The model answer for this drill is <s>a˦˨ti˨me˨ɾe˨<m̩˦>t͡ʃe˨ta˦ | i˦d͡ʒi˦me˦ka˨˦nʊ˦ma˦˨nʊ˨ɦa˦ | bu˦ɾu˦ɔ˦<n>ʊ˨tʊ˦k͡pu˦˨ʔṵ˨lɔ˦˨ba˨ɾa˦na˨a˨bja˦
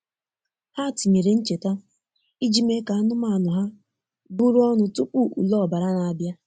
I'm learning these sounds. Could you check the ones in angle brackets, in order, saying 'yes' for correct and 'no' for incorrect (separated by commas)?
no, no, yes